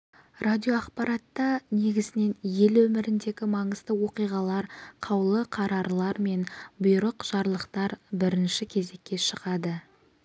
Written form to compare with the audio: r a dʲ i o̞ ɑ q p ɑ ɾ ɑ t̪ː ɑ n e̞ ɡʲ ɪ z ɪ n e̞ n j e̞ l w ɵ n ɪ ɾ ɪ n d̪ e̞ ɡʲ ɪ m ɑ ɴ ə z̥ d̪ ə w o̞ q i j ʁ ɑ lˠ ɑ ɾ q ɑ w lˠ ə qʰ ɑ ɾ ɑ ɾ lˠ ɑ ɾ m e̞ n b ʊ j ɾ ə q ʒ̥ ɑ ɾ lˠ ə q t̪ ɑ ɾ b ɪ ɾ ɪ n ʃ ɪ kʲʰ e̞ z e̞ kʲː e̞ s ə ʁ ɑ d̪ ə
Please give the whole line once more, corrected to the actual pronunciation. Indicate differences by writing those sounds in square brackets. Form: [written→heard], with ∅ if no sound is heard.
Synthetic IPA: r a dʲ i o̞ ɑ q p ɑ ɾ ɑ t̪ː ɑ n e̞ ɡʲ ɪ z ɪ n e̞ n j e̞ l w ɵ [n→m] ɪ ɾ ɪ n d̪ e̞ ɡʲ ɪ m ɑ ɴ ə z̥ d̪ ə w o̞ q i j ʁ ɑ lˠ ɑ ɾ [q→qʰ] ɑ w lˠ ə qʰ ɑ ɾ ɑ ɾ lˠ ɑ ɾ m e̞ n b ʊ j ɾ ə q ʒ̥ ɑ ɾ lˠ ə q t̪ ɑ ɾ b ɪ ɾ ɪ n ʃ ɪ kʲʰ e̞ z e̞ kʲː e̞ [s→ʃ] ə ʁ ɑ d̪ ə